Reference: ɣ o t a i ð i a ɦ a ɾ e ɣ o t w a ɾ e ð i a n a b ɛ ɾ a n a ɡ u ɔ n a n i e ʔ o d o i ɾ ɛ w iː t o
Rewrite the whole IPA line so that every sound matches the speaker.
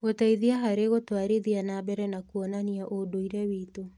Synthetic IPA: ɣ o t a i ð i a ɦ a ɾ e ɣ o t w a ɾ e ð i a n a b ɛ ɾ ɛ n a k u ɔ n a n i a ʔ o d o i ɾ ɛ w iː t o